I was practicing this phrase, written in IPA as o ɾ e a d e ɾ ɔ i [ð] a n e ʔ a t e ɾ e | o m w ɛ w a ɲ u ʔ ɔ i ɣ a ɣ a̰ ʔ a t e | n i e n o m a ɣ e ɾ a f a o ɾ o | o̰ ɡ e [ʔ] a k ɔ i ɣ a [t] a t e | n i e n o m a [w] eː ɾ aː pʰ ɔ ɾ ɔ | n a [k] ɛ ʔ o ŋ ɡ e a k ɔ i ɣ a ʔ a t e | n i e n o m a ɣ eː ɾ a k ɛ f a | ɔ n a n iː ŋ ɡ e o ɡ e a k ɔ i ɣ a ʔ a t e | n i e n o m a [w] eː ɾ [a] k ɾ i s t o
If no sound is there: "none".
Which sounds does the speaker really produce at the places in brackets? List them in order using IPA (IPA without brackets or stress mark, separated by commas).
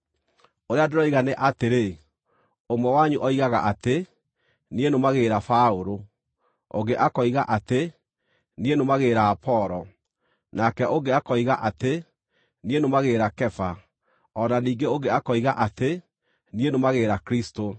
ɣ, ʔ, ʔ, ɣ, k, ɣ, a